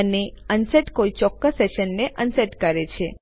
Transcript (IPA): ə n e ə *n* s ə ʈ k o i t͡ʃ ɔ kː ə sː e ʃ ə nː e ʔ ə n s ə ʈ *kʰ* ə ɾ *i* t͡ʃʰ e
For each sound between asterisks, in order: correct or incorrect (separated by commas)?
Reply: correct, incorrect, incorrect